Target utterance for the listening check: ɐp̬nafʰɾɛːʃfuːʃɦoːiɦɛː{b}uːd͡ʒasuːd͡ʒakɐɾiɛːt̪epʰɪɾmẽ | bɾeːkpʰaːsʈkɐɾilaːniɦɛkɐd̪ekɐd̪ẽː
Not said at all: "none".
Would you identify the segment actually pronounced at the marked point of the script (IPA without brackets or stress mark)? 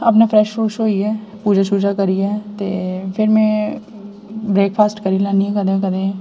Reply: p